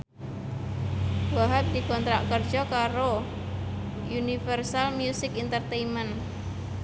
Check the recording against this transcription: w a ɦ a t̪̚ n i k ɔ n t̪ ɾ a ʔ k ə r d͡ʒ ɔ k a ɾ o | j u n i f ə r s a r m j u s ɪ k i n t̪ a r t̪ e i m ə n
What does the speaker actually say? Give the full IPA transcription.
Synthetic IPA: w a ɦ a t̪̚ d i k ɔ n t̪ ɾ a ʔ k ə r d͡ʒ ɔ k a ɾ o | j u n i f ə r s a l m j u s ɪ k i n t̪ ə r t̪ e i m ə n